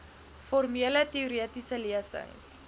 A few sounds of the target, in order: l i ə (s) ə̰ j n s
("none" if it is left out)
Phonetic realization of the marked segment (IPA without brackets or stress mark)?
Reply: s